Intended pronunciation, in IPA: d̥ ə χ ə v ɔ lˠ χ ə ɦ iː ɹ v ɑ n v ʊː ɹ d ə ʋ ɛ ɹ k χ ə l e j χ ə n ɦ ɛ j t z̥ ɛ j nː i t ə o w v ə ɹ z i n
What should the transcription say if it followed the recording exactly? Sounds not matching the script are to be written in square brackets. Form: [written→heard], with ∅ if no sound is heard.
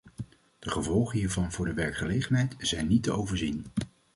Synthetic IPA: d̥ ə χ ə v ɔ lˠ χ ə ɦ iː ɹ v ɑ n v ʊː ɹ d ə ʋ ɛ ɹ k χ ə l e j χ ə n ɦ ɛ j t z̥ ɛ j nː i t ə o w v ə ɹ z i n